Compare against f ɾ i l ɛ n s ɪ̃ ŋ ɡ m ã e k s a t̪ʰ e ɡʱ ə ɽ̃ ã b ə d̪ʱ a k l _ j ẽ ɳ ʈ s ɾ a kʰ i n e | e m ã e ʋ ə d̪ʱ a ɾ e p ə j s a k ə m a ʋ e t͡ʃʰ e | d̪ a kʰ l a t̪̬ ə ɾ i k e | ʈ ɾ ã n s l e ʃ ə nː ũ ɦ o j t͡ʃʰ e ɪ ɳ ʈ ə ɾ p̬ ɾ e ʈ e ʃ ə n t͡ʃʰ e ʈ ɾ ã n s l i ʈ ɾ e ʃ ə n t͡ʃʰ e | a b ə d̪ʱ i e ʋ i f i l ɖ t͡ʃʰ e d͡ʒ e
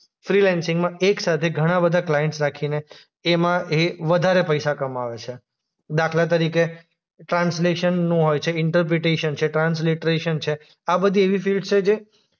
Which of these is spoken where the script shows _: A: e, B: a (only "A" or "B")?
B